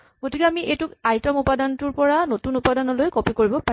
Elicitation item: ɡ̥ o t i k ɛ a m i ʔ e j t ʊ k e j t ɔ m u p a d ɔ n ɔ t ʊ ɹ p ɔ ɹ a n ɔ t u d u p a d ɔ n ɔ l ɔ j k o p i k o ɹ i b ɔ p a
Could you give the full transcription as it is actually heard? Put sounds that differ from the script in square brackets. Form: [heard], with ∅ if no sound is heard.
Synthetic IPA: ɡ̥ o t i k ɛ a m i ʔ e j t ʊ k [a] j t ɔ m u p a d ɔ n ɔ t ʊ ɹ p ɔ ɹ a n [o] t u [n] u p a d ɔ n ɔ l [o] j k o p i k o ɹ i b ɔ p a